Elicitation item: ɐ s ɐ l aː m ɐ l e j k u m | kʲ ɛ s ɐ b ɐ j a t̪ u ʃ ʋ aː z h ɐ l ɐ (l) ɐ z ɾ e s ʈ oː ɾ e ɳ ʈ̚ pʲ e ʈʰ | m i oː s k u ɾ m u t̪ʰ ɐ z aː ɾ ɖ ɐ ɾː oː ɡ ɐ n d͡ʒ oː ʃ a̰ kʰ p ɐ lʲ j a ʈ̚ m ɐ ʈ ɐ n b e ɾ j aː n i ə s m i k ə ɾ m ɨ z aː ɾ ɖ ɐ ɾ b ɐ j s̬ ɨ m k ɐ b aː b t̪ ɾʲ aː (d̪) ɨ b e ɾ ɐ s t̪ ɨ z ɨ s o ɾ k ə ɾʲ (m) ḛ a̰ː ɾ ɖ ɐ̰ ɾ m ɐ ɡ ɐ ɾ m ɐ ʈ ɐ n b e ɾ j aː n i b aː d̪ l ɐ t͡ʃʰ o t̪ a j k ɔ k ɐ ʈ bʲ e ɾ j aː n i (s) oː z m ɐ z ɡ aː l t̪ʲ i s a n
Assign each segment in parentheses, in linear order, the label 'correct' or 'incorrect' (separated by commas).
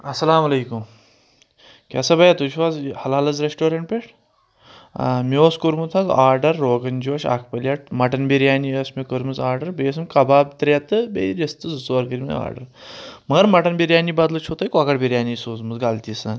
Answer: correct, incorrect, correct, correct